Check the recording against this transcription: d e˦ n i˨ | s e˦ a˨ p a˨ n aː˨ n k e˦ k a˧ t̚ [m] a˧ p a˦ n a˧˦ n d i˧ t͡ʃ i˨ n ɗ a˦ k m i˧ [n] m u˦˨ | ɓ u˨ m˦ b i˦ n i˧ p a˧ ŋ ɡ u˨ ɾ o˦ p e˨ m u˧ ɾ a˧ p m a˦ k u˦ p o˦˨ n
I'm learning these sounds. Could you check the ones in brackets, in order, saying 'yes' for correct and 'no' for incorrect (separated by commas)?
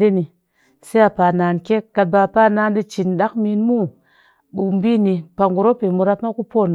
no, yes